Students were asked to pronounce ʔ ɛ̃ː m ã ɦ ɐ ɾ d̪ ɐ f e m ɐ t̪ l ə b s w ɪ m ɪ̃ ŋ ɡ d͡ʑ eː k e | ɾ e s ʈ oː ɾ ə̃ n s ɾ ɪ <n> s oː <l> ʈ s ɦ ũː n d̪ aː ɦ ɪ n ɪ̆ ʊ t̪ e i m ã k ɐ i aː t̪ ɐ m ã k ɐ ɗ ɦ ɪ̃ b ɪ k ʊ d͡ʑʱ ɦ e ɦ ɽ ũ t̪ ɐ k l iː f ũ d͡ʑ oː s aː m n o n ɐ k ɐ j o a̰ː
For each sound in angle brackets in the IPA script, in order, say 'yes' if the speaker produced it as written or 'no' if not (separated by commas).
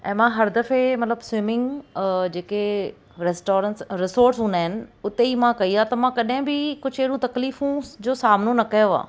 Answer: no, no